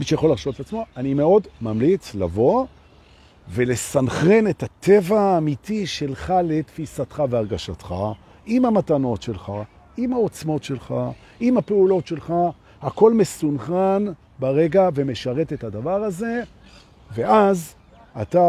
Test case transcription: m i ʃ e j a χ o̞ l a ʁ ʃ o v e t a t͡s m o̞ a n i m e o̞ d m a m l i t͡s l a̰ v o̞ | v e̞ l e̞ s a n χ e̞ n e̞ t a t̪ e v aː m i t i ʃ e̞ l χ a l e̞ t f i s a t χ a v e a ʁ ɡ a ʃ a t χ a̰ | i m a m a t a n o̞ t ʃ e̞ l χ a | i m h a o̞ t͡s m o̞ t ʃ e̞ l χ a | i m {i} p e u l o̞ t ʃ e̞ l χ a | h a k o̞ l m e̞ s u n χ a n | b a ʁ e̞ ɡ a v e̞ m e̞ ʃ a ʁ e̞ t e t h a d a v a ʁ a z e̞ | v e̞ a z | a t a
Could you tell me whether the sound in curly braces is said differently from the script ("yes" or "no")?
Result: yes